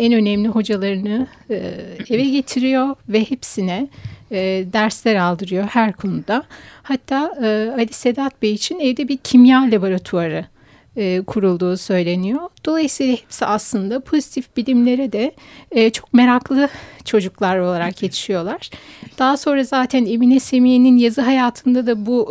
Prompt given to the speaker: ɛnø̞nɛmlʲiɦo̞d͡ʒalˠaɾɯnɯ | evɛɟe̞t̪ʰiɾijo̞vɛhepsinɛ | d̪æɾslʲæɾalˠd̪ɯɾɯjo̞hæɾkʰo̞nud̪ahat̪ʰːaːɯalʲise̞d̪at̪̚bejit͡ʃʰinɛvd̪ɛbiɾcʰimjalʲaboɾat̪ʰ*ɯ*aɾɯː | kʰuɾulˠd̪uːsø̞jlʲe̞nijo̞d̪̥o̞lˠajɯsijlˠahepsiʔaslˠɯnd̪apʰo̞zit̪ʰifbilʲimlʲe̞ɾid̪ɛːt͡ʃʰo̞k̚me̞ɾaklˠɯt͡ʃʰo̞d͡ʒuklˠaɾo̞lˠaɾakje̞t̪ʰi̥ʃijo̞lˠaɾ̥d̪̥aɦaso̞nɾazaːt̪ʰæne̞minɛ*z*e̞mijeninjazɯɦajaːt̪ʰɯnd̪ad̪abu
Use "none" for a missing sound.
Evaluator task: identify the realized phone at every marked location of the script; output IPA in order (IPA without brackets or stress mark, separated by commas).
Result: u, s